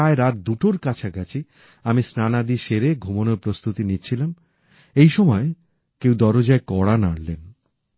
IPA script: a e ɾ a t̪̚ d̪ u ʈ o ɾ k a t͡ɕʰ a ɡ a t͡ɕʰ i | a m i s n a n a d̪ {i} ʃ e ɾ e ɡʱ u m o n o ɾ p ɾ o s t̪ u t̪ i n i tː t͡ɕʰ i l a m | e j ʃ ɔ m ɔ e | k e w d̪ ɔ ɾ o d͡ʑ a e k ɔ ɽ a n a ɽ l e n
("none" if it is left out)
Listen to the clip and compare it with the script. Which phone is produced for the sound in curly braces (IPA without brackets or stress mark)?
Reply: i